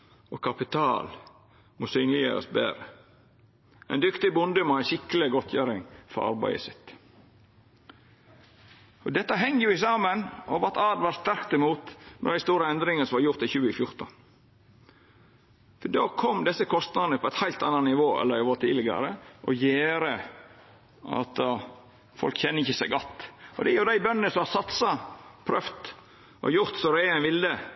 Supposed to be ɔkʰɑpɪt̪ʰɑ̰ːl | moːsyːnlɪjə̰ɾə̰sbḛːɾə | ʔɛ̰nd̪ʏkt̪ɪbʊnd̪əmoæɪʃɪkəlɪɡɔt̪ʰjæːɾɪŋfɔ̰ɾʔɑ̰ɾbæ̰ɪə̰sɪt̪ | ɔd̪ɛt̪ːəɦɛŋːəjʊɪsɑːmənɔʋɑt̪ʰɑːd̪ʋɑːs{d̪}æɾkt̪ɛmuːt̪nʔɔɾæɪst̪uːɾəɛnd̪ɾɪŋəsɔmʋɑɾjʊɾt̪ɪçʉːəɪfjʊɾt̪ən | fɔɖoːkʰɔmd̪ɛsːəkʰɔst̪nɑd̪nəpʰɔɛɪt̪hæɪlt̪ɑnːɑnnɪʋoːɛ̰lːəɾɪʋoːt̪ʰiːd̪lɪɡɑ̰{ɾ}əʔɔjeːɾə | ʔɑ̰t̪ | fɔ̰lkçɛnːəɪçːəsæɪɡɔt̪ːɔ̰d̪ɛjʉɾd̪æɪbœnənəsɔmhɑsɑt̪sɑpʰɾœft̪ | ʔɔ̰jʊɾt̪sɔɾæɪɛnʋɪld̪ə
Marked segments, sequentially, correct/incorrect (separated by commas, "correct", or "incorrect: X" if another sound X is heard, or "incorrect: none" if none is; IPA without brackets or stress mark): incorrect: t̪, correct